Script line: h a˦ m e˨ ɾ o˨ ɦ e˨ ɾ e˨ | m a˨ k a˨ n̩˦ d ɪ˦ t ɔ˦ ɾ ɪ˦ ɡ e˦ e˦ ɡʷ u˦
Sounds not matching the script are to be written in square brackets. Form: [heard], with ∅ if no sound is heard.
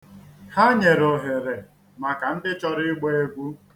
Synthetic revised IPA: h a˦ [ɲ] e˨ ɾ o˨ ɦ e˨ ɾ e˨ | m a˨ k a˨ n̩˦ d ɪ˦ [t͡ʃ] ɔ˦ ɾ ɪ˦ [ɡ͡b] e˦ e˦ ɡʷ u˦